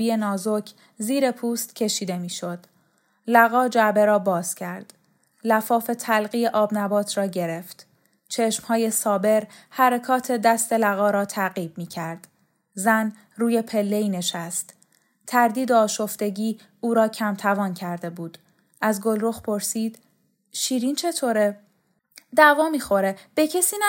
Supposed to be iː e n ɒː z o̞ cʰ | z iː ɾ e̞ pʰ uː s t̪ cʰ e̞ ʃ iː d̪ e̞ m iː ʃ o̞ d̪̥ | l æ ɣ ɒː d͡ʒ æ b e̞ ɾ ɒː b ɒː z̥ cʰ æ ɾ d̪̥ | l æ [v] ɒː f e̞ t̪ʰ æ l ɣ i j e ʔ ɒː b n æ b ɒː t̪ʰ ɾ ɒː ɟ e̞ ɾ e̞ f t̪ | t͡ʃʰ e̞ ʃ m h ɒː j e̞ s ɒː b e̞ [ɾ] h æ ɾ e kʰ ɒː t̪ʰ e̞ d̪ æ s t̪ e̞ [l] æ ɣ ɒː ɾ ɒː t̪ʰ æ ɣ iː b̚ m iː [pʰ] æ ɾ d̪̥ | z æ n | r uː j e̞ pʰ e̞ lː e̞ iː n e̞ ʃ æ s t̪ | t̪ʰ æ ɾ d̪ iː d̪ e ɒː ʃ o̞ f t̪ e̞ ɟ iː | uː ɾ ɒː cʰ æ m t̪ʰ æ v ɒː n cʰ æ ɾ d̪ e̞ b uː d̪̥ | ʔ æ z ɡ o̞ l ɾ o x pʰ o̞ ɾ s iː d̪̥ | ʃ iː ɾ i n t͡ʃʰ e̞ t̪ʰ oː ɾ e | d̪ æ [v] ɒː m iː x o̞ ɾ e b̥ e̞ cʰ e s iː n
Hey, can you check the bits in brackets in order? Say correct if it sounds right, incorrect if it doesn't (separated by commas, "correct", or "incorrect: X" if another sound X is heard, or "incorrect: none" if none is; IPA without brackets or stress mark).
incorrect: f, correct, correct, incorrect: cʰ, correct